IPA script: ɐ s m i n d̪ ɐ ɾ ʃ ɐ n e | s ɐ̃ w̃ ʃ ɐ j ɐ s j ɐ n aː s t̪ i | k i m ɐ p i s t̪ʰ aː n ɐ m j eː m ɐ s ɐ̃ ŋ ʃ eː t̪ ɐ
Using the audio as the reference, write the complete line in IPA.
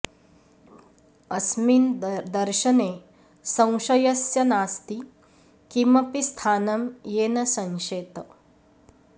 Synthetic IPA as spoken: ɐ s m i n d̪ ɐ ɾ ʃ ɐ n e | s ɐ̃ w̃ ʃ ɐ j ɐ s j ɐ n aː s t̪ i | k i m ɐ p i s t̪ʰ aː n ɐ m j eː n ɐ s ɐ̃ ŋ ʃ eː t̪ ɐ